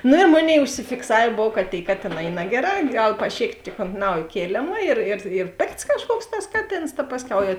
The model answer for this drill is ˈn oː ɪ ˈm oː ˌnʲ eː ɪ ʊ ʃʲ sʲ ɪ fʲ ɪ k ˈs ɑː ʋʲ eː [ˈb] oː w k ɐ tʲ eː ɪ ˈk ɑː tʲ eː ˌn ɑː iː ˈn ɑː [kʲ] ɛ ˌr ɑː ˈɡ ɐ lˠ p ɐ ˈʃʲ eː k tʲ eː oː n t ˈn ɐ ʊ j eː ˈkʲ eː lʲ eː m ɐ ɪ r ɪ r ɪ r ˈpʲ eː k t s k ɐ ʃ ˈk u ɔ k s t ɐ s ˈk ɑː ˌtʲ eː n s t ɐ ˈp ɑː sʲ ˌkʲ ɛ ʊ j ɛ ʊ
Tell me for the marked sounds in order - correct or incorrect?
correct, incorrect: ɡʲ

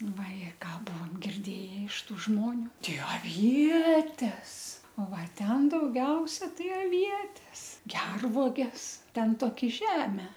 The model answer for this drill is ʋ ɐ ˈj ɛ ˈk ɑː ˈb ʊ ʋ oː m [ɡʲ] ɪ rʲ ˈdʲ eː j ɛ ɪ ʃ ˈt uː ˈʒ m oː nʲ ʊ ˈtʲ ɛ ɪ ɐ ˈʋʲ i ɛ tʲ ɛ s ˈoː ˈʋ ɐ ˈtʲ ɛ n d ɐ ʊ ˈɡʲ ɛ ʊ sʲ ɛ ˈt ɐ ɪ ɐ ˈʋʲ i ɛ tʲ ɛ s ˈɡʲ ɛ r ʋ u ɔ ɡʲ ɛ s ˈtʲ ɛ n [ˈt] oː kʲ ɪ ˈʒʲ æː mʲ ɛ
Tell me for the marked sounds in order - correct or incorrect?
correct, correct

